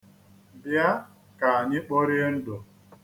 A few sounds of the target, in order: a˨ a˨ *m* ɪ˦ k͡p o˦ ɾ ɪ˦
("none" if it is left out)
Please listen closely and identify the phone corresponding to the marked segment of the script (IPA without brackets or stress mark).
ɲ